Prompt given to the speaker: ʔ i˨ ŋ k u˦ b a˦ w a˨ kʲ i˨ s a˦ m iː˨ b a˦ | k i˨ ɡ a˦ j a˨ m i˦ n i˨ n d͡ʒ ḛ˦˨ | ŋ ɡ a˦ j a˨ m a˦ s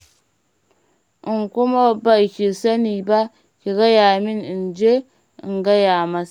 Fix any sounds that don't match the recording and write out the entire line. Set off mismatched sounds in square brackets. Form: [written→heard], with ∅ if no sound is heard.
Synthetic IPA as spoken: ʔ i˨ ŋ k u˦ [b→m] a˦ [w→b] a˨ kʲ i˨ s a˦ [m→n] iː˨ b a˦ | k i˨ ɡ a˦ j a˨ m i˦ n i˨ n d͡ʒ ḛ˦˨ | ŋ ɡ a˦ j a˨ m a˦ s

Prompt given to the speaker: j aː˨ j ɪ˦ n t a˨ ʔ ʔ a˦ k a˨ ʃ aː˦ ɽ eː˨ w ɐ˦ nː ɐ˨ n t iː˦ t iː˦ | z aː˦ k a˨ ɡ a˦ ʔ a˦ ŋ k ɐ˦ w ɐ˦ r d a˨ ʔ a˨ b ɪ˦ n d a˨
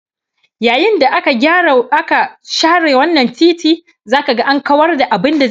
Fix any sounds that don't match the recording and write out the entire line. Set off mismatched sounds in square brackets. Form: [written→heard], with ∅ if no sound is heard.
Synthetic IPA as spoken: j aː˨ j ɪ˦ n [t→d] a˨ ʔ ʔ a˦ k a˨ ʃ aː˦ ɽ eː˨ w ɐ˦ nː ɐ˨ n t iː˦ t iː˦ | z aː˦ k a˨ ɡ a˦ ʔ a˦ ŋ k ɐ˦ w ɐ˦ r d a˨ ʔ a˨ b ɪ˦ n d a˨

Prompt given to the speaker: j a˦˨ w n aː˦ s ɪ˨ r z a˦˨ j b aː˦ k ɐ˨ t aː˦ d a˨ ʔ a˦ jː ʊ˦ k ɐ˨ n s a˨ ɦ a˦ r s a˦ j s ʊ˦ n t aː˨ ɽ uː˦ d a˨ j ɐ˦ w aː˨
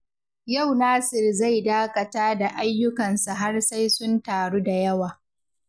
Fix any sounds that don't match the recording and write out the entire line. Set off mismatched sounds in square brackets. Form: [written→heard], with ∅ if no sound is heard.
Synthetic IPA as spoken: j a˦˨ w n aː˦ s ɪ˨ r z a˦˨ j [b→d] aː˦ k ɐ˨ t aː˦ d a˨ ʔ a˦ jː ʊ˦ k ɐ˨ n s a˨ ɦ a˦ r s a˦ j s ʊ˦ n t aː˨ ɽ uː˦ d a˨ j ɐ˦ w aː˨

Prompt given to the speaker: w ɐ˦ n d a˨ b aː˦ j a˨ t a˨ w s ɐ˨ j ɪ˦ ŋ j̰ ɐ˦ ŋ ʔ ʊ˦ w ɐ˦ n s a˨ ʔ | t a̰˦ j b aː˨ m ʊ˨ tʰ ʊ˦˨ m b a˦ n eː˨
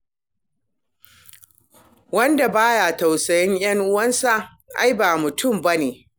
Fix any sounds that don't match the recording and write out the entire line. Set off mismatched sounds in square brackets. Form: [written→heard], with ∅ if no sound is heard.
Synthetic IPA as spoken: w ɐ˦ n d a˨ b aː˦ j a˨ t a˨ w s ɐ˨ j ɪ˦ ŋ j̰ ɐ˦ ŋ ʔ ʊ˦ w ɐ˦ n s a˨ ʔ | [t→ʔ] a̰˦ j b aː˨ m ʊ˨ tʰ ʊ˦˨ m b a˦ n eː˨

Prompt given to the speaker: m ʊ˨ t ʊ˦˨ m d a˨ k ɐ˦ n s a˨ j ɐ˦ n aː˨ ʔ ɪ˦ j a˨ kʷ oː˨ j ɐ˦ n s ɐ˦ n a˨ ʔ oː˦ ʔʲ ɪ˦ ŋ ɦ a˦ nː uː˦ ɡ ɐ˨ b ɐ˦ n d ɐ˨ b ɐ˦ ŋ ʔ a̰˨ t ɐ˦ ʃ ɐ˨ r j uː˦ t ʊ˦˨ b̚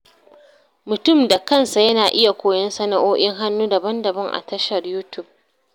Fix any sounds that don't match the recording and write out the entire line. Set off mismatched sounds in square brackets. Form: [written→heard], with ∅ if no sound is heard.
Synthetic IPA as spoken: m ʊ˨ t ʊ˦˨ m d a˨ k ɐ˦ n s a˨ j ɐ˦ n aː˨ ʔ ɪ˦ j a˨ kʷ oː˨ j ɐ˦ n s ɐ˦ n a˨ ʔ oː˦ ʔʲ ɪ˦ ŋ ɦ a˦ nː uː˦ [ɡ→d] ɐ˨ b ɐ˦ n d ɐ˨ b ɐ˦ ŋ ʔ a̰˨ t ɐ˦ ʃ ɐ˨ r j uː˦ t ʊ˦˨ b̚

